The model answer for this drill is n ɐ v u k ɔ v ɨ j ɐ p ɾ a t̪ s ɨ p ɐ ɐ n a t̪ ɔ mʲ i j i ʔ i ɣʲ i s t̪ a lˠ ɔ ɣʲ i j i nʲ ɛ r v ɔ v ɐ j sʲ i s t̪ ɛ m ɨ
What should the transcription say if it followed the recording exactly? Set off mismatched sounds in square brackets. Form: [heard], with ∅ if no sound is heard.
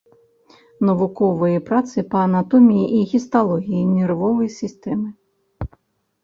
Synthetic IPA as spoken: n ɐ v u k ɔ v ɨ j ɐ p ɾ a t̪ s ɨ p ɐ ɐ n a t̪ ɔ mʲ i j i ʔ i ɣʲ i s t̪ a lˠ ɔ ɣʲ i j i nʲ ɛ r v ɔ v ɐ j sʲ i s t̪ ɛ m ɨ